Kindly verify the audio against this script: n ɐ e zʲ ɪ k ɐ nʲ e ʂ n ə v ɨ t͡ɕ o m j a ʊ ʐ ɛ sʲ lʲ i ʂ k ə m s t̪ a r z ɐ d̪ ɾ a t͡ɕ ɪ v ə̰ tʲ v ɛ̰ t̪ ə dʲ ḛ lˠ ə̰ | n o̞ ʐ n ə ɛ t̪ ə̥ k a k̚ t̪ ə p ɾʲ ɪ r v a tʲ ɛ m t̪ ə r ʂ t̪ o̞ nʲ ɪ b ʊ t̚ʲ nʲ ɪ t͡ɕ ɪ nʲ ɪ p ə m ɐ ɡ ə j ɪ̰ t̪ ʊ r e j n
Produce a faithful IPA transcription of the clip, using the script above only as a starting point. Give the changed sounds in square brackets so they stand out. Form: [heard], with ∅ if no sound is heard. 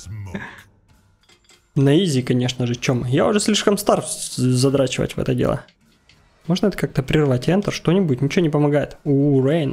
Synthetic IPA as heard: n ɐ [i] zʲ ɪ k ɐ nʲ e ʂ n ə [ʐ] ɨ t͡ɕ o m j a ʊ ʐ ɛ sʲ lʲ i ʂ k ə m s t̪ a r z ɐ d̪ ɾ a t͡ɕ ɪ v ə̰ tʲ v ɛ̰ t̪ ə dʲ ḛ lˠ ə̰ | [m] o̞ ʐ n ə ɛ t̪ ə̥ k a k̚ t̪ ə p ɾʲ ɪ r v a tʲ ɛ [n] t̪ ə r ʂ t̪ o̞ nʲ ɪ b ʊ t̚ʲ nʲ ɪ t͡ɕ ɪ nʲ ɪ p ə m ɐ ɡ [a] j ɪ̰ t̪ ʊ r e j n